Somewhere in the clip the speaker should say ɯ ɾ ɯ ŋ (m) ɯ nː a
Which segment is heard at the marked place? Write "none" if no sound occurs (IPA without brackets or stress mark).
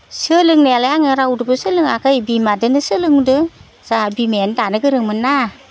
m